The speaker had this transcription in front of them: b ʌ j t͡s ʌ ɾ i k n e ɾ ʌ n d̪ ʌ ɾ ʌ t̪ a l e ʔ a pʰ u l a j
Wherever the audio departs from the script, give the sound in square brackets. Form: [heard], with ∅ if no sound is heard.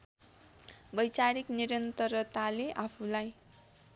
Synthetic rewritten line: b ʌ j t͡s [a] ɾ i k n [i] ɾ ʌ n [t̪] ʌ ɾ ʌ t̪ a l e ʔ a pʰ u l a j